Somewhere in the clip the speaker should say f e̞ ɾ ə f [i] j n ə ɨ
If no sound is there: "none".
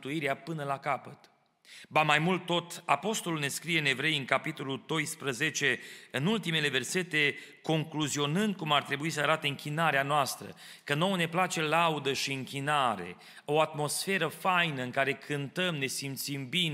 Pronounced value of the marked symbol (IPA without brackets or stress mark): a